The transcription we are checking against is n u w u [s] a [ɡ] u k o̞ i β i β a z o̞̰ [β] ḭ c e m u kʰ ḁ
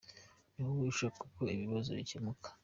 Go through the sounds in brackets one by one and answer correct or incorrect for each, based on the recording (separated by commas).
incorrect, incorrect, correct